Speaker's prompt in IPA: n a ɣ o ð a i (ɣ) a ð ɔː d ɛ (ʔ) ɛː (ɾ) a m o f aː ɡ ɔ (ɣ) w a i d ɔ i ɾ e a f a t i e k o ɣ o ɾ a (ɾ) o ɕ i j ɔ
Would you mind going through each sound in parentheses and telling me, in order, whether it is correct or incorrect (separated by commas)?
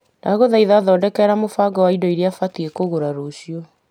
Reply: incorrect, incorrect, correct, incorrect, correct